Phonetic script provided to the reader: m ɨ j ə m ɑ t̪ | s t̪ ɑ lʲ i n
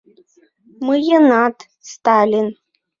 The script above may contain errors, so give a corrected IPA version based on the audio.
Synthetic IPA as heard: m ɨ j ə n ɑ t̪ | s t̪ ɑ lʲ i n